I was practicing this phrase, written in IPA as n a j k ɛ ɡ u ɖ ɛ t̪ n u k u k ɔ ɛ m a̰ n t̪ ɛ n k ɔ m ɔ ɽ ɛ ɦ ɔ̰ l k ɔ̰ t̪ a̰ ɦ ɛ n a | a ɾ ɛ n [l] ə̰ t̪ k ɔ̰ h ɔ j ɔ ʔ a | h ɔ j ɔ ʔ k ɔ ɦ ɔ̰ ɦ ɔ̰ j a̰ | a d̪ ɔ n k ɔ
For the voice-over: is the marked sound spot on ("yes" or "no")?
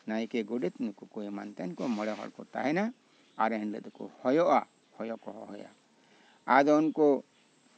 yes